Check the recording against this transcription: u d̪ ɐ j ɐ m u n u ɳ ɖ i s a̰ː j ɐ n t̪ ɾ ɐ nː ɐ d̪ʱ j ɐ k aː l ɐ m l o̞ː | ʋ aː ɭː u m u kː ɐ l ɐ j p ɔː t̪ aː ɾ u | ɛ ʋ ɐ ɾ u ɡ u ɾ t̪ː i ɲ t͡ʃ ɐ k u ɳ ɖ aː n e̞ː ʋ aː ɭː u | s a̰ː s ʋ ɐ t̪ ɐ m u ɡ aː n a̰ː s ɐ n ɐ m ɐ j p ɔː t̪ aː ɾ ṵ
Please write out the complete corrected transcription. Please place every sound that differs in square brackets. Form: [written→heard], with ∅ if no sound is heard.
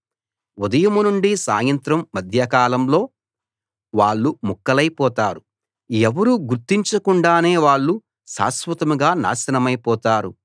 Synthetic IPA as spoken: u d̪ ɐ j ɐ m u n u ɳ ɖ i s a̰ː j ɐ n t̪ ɾ ɐ [nː→mː] ɐ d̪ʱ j ɐ k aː l ɐ m l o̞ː | ʋ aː ɭː u m u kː ɐ l ɐ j p ɔː t̪ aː ɾ u | ɛ ʋ ɐ ɾ u ɡ u ɾ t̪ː i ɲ t͡ʃ ɐ k u ɳ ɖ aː n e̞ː ʋ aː ɭː u | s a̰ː s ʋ ɐ t̪ ɐ m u ɡ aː n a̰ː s ɐ n ɐ m ɐ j p ɔː t̪ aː ɾ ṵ